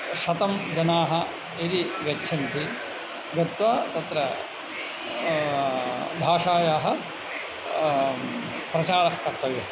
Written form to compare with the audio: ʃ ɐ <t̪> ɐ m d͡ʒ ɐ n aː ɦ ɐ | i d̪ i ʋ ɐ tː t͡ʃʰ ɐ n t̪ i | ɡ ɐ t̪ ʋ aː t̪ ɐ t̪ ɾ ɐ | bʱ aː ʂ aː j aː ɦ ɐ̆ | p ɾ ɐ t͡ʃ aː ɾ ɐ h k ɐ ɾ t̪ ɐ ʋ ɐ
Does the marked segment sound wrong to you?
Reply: no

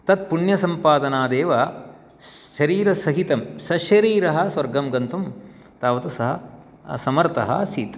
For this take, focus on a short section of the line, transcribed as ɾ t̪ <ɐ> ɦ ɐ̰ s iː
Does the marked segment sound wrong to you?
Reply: no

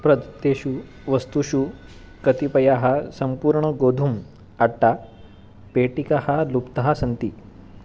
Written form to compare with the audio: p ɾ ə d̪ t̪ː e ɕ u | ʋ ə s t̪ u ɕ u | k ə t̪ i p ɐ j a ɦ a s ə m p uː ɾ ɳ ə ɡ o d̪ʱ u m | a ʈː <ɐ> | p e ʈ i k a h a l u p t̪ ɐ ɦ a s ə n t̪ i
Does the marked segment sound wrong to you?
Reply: yes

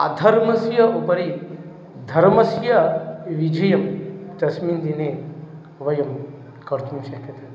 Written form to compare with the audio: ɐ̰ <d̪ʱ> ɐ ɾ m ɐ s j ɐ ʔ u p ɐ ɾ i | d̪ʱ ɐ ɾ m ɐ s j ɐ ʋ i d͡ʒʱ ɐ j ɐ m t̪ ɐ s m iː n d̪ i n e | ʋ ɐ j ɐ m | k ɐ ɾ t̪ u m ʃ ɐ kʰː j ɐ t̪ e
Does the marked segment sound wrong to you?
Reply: no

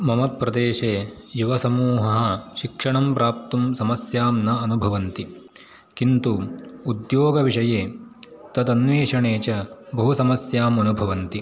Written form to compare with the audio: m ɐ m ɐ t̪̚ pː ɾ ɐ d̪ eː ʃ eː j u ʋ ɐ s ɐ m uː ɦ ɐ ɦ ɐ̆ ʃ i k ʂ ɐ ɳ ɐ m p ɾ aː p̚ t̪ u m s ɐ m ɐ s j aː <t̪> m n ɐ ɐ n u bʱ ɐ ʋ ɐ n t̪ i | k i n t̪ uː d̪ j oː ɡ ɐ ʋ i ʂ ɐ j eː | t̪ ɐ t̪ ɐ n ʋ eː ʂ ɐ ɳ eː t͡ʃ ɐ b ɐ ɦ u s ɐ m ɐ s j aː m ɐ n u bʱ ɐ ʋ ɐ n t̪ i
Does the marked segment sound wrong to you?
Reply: yes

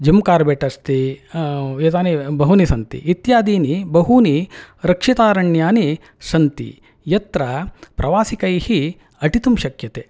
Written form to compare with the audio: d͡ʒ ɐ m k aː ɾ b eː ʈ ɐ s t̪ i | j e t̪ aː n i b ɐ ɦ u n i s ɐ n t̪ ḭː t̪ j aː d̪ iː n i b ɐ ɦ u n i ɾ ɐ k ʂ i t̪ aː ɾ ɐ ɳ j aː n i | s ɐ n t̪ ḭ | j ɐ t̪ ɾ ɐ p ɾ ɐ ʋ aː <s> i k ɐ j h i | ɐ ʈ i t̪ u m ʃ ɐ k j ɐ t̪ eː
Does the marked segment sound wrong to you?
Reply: no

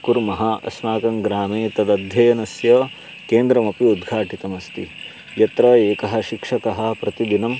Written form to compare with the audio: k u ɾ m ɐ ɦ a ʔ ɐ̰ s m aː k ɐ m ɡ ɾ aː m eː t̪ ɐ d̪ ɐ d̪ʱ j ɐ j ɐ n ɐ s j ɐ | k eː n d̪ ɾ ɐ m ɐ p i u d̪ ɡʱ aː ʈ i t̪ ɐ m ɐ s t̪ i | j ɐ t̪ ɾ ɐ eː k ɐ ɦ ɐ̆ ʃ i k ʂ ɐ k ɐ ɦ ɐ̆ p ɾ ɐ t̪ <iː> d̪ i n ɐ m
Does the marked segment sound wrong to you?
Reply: yes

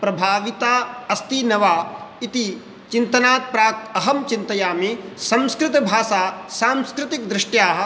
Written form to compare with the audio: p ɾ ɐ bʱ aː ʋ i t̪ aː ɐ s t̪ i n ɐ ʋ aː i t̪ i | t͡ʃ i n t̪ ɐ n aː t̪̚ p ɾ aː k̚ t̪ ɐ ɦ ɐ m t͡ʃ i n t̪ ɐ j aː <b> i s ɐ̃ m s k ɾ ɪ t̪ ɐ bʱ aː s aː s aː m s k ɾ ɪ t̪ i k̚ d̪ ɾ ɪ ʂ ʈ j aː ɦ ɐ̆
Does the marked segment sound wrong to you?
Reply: yes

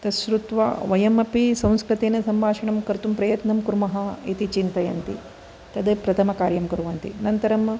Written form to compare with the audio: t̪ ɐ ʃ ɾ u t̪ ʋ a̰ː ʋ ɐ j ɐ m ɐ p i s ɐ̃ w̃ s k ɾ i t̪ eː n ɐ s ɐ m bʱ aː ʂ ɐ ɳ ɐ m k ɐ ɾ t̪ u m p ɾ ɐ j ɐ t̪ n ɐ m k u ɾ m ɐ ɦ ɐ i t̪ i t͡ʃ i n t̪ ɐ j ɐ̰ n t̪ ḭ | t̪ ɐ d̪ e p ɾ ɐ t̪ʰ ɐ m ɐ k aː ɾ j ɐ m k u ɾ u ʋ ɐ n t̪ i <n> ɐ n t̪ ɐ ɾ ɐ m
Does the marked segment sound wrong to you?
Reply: no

